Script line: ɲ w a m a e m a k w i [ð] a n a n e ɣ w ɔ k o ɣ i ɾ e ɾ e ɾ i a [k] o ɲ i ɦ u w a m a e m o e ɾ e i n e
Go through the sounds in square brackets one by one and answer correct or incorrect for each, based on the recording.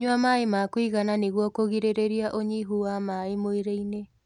incorrect, incorrect

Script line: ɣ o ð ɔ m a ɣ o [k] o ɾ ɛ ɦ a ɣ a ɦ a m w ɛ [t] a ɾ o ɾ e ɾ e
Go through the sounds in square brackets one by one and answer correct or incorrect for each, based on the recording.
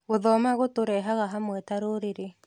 incorrect, correct

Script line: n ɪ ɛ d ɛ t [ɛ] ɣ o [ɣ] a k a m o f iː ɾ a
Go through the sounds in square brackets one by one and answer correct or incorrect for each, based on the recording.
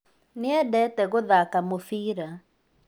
correct, incorrect

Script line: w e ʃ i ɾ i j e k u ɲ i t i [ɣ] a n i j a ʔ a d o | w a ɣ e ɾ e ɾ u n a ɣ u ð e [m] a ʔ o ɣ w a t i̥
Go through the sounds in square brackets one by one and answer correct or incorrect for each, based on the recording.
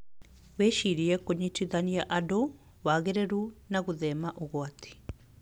incorrect, correct

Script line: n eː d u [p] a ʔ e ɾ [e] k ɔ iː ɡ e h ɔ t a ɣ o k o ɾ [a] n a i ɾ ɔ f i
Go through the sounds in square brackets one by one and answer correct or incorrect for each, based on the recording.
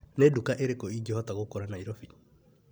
incorrect, correct, correct

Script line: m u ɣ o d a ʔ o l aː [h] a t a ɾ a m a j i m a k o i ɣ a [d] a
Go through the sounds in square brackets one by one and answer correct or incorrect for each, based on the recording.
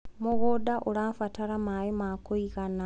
incorrect, incorrect

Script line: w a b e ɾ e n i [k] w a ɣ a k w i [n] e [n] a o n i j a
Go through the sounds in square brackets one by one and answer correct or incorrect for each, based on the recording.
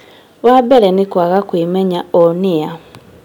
correct, incorrect, incorrect

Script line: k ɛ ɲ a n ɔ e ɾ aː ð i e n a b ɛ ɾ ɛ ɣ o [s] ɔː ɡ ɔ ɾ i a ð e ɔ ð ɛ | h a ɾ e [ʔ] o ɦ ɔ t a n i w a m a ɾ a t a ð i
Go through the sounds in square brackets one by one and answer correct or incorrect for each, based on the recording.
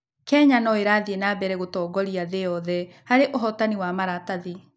incorrect, correct

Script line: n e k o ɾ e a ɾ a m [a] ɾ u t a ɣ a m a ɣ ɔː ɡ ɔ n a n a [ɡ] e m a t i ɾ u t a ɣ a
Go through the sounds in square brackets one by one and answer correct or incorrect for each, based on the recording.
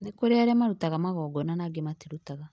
correct, correct

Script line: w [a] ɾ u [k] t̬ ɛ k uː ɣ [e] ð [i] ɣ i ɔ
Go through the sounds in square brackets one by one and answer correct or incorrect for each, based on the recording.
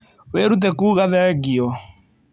incorrect, incorrect, incorrect, incorrect

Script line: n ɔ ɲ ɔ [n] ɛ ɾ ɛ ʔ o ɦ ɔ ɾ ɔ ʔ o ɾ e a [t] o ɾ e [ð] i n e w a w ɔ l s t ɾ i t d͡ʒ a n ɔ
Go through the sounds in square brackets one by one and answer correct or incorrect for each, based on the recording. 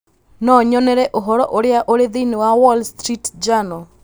correct, incorrect, correct

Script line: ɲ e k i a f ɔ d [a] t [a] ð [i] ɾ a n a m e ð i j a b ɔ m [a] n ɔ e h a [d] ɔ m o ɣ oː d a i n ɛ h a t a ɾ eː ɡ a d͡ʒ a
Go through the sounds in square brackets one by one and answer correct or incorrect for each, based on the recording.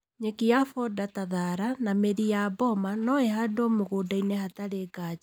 correct, correct, incorrect, correct, correct

